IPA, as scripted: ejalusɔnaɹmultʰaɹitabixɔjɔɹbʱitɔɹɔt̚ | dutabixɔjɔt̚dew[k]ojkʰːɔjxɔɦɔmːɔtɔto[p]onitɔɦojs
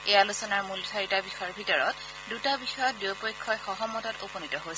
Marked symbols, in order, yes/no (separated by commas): no, yes